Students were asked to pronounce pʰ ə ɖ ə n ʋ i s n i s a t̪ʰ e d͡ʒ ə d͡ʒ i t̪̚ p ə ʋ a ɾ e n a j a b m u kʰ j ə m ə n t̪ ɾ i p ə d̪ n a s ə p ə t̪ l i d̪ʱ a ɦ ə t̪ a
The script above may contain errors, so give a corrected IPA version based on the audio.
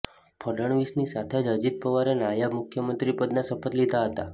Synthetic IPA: pʰ ə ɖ ə ɳ ʋ i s n i s a t̪ʰ e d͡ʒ ə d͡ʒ i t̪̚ p ə ʋ a ɾ e n a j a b m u kʰ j ə m ə n t̪ ɾ i p ə d̪ n a s ə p ə t̪ l i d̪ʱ a ɦ ə t̪ a